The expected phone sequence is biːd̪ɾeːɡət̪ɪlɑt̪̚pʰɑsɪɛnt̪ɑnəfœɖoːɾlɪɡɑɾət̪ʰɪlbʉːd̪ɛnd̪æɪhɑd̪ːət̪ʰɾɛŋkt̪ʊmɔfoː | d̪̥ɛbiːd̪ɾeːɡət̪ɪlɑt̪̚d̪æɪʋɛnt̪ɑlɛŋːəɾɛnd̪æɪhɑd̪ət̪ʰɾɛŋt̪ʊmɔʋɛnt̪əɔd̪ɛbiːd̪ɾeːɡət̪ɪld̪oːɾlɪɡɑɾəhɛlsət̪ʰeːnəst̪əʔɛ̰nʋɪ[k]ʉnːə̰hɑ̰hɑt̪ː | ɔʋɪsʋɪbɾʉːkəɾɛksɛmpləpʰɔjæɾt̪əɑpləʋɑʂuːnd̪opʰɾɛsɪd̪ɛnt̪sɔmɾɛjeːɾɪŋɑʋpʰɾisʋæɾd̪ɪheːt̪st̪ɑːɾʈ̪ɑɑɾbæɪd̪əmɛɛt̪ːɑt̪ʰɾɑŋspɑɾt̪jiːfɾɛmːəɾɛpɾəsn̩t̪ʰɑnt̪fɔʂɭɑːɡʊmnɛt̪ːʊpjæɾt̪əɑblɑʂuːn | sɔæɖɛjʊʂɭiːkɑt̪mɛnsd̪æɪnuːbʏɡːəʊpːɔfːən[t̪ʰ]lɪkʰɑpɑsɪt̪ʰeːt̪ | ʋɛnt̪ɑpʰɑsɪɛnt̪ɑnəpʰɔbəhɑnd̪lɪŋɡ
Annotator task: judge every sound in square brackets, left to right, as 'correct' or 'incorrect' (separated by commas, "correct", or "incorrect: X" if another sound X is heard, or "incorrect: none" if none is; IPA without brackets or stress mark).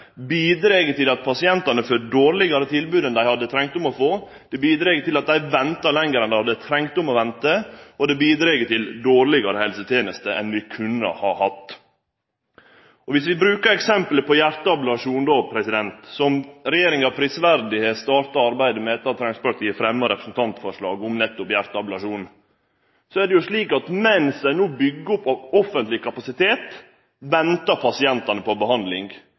incorrect: kʰ, incorrect: t̪